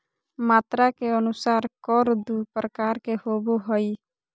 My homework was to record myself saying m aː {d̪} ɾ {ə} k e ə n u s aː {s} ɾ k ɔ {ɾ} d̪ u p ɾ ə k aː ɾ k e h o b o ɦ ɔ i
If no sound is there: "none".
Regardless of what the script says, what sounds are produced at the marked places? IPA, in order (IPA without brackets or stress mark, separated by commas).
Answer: t̪, a, none, ɾ